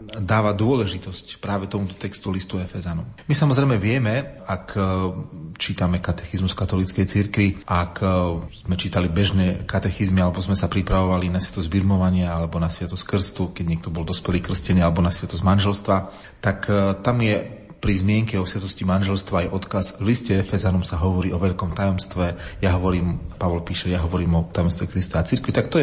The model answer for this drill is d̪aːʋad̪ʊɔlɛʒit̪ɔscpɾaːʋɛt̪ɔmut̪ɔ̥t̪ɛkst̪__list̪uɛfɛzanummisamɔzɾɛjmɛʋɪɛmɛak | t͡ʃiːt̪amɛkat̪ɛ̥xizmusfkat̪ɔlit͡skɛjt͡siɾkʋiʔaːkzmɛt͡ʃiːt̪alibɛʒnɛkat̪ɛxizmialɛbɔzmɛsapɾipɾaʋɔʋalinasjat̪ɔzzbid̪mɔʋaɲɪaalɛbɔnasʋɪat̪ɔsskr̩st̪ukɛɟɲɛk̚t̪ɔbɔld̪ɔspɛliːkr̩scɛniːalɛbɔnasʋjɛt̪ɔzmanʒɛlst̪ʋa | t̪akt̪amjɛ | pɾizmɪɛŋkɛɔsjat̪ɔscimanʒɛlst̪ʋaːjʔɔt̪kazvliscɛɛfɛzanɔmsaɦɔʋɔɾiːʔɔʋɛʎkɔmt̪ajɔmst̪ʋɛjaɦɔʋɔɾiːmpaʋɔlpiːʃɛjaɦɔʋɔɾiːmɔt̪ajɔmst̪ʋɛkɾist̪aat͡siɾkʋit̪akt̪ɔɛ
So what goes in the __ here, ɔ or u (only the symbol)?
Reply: u